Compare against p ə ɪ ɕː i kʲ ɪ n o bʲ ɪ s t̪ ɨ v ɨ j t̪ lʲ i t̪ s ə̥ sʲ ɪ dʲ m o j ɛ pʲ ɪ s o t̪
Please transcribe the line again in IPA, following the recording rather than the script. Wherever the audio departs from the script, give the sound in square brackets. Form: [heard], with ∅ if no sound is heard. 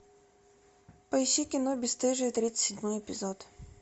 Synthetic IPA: p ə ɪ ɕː i kʲ ɪ n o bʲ ɪ s t̪ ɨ [ʐ] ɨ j t̪ [ɾʲ] i t̪ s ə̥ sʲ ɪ dʲ m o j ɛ pʲ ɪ [z] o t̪